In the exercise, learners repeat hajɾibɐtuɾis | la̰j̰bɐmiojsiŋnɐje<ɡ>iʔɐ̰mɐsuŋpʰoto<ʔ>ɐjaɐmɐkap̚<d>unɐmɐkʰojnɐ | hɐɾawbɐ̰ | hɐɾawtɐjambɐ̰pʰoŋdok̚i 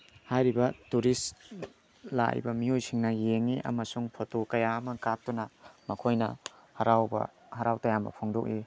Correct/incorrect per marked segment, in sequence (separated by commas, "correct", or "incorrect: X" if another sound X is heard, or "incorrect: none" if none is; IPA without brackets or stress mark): incorrect: ŋ, incorrect: k, incorrect: t